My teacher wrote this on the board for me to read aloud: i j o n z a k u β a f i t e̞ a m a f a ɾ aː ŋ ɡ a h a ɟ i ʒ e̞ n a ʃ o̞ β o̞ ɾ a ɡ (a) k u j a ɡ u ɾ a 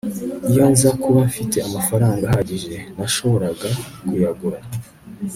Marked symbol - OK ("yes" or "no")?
yes